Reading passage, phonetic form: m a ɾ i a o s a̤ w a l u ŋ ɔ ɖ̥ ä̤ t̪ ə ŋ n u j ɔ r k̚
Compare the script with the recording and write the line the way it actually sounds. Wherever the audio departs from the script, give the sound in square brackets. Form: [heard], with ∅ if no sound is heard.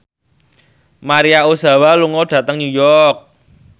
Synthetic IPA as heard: m a ɾ i a o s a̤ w a l u ŋ ɔ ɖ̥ ä̤ t̪ ə ŋ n u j ɔ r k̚